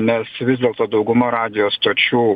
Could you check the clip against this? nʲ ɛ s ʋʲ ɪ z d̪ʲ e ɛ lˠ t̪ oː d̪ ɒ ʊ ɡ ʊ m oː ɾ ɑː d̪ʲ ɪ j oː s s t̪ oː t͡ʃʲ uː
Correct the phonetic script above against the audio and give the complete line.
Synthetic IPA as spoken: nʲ ɛ s ʋʲ ɪ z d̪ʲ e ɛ lˠ t̪ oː d̪ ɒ ʊ ɡ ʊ m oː ɾ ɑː d̪ʲ ɪ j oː s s t̪ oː t͡ʃʲ uː